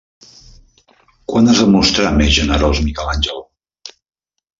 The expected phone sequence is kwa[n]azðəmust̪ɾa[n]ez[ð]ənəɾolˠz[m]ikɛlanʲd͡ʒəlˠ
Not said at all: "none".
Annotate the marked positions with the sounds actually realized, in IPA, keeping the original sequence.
n, m, ʒ, m

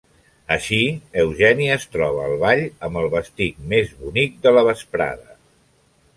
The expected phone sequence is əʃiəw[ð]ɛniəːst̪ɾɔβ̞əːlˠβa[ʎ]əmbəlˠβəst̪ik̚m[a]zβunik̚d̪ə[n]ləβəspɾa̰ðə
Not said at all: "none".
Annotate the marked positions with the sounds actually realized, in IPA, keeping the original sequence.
ʒ, ʎ, e, none

